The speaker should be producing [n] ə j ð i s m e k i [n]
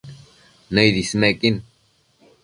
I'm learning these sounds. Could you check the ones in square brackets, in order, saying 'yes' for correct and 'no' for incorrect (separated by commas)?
yes, yes